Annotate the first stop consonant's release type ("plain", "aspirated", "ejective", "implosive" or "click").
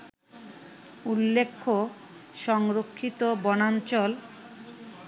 aspirated